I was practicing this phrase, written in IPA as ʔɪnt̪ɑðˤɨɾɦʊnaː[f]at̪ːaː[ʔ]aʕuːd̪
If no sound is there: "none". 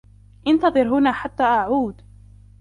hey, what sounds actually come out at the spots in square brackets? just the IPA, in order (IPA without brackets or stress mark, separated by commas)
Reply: ħ, ʔ